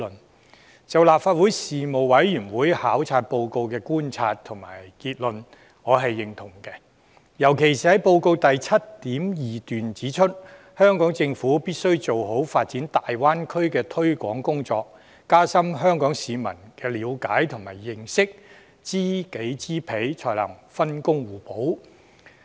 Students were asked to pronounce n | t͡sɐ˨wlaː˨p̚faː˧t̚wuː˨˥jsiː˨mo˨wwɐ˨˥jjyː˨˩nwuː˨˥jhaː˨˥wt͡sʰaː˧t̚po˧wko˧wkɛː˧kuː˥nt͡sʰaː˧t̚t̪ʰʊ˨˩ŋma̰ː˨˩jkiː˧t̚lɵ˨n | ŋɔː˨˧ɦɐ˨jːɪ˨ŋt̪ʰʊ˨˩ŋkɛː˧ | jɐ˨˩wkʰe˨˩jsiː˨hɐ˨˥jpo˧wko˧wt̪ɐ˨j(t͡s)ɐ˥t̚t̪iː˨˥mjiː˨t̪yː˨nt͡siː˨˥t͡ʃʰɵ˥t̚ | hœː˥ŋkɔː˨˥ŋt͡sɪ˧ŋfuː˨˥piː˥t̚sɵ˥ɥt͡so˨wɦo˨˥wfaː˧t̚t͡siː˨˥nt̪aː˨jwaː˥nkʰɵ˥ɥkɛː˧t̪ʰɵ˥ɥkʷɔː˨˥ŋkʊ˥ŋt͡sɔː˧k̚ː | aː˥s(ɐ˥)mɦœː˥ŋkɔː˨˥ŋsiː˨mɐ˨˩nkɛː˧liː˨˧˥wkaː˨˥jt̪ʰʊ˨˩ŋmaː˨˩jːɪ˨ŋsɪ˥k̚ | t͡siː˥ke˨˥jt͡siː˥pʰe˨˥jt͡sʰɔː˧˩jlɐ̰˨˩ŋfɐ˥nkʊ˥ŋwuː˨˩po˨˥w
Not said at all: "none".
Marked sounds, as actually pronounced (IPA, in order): t͡sʰ, ɐ˥

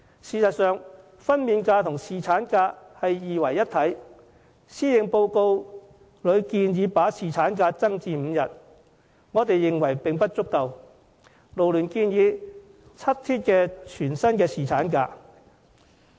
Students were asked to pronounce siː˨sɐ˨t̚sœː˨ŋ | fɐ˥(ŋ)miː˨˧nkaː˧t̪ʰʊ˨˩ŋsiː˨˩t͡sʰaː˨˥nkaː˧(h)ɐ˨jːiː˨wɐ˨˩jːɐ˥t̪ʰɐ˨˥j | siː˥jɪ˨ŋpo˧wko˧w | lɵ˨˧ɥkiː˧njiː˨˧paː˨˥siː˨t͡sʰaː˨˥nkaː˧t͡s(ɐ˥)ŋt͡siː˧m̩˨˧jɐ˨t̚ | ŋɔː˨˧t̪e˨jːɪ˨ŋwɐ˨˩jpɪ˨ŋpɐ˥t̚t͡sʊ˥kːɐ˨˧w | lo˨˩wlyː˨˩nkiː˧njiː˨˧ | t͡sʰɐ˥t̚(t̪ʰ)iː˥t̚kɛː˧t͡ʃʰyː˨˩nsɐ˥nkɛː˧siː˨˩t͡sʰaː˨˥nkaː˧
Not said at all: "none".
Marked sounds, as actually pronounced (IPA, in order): n, h, ɐ˥, t̪ʰ

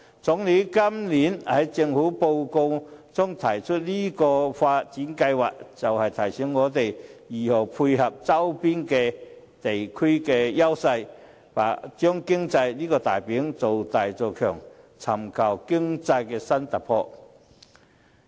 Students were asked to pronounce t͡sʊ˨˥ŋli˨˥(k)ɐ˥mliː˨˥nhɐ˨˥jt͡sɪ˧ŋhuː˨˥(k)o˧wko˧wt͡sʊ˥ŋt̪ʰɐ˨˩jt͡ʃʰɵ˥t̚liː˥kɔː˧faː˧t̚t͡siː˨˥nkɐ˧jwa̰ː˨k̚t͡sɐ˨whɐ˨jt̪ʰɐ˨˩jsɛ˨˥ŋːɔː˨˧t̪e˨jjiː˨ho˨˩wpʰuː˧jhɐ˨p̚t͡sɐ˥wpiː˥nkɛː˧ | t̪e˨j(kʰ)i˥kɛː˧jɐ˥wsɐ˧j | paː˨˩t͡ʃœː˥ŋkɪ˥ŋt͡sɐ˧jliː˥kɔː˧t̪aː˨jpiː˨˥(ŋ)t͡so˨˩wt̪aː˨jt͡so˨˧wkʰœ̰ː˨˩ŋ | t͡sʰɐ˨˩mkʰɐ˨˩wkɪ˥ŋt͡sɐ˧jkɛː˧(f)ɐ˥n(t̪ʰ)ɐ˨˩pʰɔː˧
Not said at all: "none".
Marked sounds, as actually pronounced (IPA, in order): k, p, kʰ, ŋ, s, t̪

